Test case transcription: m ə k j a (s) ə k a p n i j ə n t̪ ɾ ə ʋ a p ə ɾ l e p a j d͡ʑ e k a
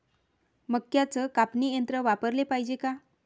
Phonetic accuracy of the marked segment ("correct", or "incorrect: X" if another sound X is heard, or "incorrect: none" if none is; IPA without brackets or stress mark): incorrect: t͡s